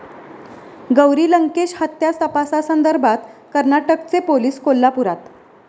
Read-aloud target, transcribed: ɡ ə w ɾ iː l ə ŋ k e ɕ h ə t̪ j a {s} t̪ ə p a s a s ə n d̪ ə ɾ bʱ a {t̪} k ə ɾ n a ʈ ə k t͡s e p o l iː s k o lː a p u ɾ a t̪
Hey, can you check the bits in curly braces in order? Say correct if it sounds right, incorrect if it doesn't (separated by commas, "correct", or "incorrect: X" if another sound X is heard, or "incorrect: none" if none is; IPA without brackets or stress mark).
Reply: correct, correct